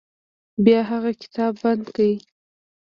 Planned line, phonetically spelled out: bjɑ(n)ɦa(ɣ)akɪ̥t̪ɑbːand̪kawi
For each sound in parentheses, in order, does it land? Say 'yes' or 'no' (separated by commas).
no, yes